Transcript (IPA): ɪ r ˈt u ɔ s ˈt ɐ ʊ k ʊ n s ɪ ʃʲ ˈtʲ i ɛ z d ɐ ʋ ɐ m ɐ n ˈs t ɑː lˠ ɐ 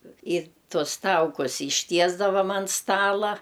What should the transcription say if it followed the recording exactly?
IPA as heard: ɪ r ˈt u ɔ s ˈt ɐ ʊ k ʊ s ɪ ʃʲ ˈtʲ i ɛ z d ɐ ʋ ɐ m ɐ n ˈs t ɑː lˠ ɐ